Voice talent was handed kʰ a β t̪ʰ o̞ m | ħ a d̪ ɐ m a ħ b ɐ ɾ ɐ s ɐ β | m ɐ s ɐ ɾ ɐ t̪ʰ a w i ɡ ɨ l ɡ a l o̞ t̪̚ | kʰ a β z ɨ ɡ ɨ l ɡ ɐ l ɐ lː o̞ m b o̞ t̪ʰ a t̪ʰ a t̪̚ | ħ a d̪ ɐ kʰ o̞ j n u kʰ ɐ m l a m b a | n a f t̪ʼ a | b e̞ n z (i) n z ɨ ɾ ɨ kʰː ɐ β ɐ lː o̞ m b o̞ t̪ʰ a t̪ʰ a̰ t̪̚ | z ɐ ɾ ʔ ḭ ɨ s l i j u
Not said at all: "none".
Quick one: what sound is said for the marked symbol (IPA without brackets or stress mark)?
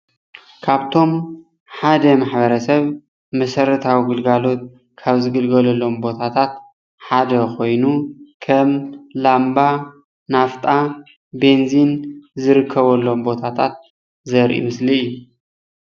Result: i